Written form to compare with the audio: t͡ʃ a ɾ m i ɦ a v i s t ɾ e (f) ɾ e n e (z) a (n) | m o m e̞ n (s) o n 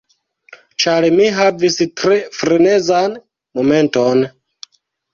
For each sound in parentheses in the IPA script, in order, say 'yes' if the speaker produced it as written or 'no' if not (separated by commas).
yes, yes, yes, no